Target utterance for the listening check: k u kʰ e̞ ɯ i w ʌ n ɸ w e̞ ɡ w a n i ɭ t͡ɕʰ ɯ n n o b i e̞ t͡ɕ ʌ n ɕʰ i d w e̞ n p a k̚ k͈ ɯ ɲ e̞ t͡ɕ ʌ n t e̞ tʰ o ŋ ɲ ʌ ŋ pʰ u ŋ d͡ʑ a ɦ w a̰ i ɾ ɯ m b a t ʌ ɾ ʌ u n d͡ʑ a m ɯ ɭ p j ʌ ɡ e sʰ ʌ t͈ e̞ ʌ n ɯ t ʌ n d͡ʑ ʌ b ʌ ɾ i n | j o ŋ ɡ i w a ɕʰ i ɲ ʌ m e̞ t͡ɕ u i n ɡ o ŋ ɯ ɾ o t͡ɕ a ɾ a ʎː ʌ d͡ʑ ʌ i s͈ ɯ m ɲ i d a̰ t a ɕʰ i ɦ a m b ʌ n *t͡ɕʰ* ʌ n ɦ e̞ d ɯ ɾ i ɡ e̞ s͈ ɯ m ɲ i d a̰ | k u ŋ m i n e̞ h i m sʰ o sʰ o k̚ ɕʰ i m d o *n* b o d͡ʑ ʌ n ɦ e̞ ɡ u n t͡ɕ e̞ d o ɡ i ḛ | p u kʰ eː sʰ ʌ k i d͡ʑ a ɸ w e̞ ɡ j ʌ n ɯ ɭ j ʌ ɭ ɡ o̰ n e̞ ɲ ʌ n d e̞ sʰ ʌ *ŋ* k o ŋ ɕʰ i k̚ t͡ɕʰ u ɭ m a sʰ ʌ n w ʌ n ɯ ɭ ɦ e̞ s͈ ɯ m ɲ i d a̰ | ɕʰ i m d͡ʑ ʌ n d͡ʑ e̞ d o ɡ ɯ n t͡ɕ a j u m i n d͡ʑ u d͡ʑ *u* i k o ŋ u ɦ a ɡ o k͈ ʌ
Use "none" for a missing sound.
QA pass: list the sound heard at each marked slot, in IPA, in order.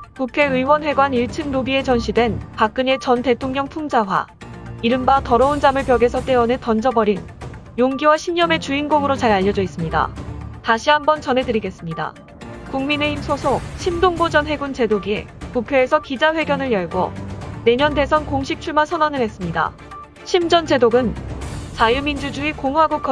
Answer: t͡ɕ, ŋ, n, u

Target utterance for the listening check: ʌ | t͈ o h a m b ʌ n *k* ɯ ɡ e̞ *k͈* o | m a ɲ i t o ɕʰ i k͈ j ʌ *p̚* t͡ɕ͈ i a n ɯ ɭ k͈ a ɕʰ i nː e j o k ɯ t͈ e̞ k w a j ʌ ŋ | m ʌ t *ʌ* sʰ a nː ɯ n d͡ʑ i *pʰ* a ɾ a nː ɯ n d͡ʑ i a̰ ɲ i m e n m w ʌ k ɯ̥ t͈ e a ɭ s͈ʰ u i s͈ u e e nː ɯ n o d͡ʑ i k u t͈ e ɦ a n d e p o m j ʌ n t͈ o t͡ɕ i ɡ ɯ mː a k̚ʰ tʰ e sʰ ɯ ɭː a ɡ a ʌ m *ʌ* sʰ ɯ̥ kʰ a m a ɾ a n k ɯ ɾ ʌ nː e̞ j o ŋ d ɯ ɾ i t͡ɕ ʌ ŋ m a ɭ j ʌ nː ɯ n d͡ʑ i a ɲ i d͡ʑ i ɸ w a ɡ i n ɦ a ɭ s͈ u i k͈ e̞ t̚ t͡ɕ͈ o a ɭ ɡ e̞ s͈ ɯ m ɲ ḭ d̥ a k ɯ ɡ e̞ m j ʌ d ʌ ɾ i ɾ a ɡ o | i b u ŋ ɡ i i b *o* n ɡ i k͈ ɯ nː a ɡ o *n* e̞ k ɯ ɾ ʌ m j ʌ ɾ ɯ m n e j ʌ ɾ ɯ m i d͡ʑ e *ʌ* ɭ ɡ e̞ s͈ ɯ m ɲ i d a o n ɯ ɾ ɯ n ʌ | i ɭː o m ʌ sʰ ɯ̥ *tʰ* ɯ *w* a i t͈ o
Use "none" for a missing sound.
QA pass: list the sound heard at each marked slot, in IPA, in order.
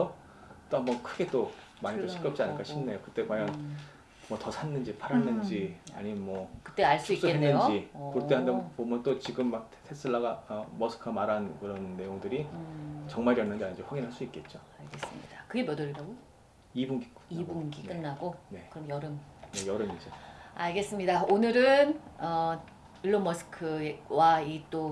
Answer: kʰ, t͈, p̚, ʌ, pʰ, ʌ, u, n, a, kʰ, w

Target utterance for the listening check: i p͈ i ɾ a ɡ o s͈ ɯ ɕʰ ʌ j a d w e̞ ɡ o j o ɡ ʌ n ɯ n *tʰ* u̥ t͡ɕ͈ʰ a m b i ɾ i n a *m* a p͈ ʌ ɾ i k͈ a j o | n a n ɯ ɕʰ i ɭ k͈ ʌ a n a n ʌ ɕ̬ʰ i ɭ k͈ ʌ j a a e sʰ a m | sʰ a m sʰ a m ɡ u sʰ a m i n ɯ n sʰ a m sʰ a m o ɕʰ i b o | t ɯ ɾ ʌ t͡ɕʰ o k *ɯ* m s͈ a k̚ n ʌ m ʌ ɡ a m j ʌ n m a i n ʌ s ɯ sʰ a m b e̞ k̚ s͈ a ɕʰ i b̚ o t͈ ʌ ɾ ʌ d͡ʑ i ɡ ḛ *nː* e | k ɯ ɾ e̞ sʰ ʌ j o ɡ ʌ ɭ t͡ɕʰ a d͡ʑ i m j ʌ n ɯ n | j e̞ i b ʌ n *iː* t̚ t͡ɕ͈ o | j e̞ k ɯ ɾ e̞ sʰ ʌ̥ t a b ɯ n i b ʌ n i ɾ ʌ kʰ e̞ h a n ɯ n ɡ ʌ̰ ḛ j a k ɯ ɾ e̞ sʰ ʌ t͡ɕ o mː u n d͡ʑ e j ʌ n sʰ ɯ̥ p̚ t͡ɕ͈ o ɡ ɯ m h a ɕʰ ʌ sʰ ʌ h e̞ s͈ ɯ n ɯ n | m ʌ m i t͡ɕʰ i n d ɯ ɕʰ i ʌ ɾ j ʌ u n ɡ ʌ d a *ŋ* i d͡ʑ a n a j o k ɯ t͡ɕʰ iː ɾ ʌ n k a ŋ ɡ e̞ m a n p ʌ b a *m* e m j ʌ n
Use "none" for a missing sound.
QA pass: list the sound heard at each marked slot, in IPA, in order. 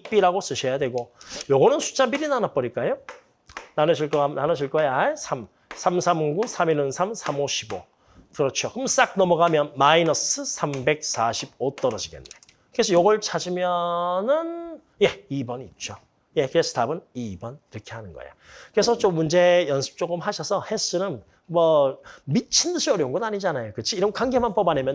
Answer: sʰ, n, ɯ, nː, i, ɲ, n

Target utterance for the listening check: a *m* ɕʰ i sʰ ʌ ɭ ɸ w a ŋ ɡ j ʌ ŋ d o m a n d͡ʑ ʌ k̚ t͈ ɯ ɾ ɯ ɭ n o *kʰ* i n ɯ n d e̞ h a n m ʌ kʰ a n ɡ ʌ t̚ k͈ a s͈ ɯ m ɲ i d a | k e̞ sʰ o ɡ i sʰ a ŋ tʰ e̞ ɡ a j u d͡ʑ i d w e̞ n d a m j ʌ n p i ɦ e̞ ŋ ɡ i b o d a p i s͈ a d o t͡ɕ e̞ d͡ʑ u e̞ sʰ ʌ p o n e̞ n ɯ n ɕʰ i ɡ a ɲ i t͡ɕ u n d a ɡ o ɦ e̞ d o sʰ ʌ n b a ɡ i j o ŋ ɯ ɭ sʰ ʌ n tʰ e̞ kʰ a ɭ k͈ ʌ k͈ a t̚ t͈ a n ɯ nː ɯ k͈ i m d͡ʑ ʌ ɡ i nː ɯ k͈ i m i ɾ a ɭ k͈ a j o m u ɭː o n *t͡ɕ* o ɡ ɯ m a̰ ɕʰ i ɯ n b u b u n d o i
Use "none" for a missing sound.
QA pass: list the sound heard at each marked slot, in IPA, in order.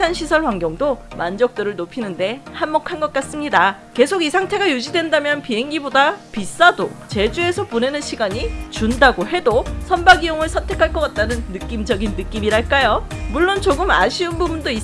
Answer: n, pʰ, t͡ɕ

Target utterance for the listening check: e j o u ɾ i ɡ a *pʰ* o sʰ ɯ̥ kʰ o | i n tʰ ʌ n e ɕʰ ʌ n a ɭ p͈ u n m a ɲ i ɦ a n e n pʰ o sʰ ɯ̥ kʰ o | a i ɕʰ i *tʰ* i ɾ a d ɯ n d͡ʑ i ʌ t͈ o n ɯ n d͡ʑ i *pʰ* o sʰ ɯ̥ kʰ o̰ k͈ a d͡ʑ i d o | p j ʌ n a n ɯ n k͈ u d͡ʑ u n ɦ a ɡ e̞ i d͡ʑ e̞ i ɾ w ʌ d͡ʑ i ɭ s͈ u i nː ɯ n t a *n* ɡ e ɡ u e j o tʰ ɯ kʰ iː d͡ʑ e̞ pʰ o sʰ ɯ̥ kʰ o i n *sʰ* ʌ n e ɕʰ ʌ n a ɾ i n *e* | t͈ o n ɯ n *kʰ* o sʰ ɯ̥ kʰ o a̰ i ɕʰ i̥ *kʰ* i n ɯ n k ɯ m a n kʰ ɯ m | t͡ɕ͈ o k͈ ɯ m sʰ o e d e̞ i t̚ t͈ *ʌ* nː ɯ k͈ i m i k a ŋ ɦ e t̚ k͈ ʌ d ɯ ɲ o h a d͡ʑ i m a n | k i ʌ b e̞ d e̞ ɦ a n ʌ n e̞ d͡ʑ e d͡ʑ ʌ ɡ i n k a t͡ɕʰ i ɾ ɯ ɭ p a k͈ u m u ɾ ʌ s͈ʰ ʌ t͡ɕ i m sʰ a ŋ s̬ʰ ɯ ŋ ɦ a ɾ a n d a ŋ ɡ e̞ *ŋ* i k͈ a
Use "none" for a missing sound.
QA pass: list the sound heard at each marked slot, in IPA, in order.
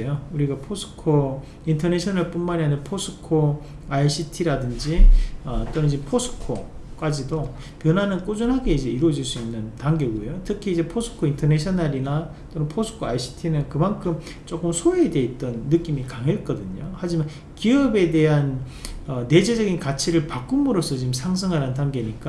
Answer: pʰ, tʰ, pʰ, ŋ, tʰ, a, pʰ, tʰ, ʌ, ɲ

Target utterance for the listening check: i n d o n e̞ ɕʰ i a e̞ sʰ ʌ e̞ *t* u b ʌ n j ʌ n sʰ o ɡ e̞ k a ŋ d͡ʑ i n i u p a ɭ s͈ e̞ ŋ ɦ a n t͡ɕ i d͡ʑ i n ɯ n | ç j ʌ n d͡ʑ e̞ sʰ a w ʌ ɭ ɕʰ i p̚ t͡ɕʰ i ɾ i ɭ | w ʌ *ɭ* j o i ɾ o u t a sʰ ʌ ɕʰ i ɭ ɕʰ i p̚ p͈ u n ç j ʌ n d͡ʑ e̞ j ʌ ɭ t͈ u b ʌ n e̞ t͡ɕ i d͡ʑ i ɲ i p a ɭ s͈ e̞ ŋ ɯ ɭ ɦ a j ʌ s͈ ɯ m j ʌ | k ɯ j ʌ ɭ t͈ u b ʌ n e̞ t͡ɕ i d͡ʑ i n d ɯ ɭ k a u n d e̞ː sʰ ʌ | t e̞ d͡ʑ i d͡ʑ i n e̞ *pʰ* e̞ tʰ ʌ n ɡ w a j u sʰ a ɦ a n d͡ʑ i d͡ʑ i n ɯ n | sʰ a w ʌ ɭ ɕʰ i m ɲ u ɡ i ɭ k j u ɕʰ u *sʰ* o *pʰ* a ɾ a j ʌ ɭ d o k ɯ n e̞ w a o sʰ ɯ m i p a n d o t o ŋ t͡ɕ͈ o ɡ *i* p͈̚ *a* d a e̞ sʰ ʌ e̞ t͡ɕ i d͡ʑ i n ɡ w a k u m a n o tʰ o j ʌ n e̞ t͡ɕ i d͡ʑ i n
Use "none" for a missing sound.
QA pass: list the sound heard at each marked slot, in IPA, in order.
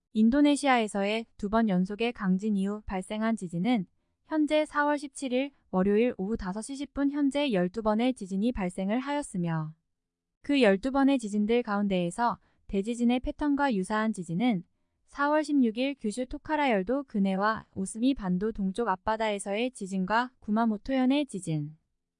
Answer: t, ɾ, pʰ, tʰ, kʰ, a, a

